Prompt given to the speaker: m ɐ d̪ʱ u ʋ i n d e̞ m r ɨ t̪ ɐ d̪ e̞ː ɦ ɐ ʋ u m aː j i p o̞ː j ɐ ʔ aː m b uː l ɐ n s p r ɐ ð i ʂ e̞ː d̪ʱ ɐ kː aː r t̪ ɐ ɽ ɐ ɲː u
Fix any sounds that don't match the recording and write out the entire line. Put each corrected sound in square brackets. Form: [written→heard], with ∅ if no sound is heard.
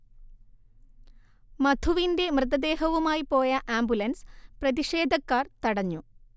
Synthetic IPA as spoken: m ɐ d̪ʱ u ʋ i n d e̞ m r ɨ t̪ ɐ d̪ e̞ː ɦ ɐ ʋ u m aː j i p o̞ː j ɐ ʔ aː m b [uː→u] l ɐ n s p r ɐ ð i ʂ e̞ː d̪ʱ ɐ kː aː r t̪ ɐ ɽ ɐ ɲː u